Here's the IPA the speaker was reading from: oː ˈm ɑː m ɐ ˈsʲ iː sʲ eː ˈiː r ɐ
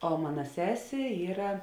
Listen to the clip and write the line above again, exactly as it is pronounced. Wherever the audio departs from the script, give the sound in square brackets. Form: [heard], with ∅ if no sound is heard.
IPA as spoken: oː ˈm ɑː [n] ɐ ˈsʲ [æː] sʲ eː ˈiː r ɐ